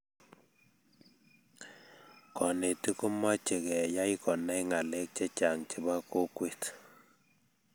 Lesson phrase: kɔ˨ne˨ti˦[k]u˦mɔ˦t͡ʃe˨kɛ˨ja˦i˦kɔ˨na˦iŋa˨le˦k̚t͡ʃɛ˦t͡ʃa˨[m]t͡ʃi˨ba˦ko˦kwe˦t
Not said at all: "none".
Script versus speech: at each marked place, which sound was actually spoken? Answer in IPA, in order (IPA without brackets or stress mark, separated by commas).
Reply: k, ŋ